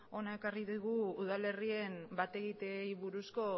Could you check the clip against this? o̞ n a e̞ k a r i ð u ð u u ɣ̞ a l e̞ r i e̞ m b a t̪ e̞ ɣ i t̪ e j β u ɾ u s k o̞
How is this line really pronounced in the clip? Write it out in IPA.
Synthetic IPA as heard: o̞ n a e̞ k a r i ð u ɣ u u ð̞ a l e̞ r i e̞ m b a t̪ e̞ ɣ i t̪ e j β u ɾ u s k o̞